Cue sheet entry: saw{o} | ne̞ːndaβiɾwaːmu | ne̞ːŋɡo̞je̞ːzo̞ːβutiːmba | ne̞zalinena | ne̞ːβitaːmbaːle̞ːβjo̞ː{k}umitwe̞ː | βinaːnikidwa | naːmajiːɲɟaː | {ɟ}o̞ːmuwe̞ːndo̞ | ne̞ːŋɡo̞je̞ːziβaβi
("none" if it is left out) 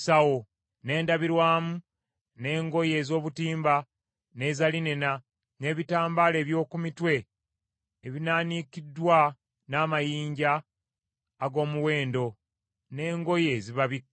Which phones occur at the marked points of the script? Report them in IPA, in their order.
o, k, ɡ

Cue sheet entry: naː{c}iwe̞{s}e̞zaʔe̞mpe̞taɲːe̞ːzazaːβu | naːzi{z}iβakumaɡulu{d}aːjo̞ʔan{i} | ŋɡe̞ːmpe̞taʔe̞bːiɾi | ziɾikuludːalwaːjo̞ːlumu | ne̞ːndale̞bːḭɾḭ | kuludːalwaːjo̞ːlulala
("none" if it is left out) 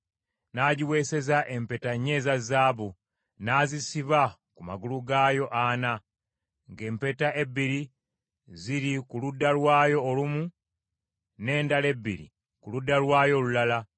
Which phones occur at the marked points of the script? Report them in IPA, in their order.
ɟ, s, s, ɡ, a

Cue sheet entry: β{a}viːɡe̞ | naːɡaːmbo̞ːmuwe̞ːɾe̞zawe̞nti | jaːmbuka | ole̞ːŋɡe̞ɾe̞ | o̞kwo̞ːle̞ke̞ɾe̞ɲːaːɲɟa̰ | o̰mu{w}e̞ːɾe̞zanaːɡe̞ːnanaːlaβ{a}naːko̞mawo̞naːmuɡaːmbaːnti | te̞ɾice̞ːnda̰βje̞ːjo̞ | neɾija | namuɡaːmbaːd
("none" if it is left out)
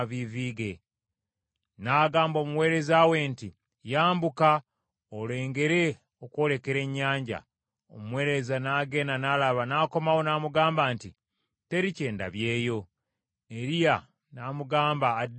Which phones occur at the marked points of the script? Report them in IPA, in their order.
i, w, a

